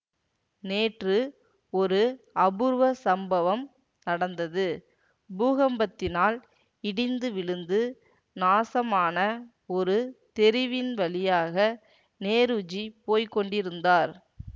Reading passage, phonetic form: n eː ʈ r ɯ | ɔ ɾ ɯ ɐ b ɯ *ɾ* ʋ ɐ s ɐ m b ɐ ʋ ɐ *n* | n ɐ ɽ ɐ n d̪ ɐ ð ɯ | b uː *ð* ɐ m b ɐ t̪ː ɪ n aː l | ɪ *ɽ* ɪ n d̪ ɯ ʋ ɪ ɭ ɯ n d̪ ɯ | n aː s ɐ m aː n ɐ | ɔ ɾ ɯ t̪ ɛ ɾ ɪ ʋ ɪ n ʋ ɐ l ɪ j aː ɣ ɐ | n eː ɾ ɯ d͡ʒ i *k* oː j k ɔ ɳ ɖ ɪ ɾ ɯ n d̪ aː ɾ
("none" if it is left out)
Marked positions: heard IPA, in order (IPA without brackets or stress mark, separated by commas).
ɾ, m, ɣ, ɽ, p